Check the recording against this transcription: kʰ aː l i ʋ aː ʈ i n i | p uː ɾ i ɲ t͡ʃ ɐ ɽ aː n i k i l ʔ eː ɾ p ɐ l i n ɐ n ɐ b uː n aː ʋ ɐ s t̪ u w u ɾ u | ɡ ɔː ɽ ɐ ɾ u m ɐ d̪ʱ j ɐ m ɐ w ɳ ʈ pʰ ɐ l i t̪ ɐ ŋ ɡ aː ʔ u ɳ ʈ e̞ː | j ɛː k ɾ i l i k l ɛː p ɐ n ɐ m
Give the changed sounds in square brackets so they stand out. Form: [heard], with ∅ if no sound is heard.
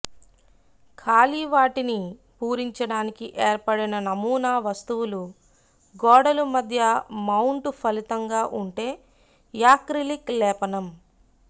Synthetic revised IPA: kʰ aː l i ʋ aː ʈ i n i | p uː ɾ i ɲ t͡ʃ ɐ ɽ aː n i k i [∅] ʔ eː ɾ p ɐ [ɽ] i n ɐ n ɐ [m] uː n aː ʋ ɐ s t̪ u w u [l] u | ɡ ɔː ɽ ɐ [l] u m ɐ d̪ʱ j ɐ m ɐ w ɳ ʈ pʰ ɐ l i t̪ ɐ ŋ ɡ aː ʔ u ɳ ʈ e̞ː | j [aː] k ɾ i l i k l ɛː p ɐ n ɐ m